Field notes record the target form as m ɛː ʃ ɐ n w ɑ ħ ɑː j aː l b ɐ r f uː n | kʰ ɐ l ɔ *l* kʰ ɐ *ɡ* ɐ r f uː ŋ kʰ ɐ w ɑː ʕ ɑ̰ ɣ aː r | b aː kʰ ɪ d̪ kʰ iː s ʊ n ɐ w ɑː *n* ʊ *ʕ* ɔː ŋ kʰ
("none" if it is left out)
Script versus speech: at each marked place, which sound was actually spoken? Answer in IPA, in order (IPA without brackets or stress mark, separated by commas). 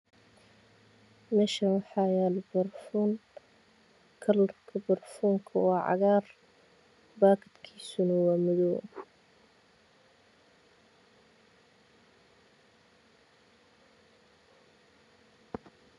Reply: r, b, m, ð